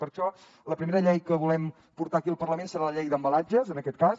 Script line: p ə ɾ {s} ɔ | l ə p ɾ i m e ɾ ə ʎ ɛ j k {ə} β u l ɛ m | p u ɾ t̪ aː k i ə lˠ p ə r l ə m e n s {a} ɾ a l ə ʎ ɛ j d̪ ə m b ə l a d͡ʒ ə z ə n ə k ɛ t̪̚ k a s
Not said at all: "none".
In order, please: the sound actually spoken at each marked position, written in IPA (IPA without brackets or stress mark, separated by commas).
ʃ, ə, ə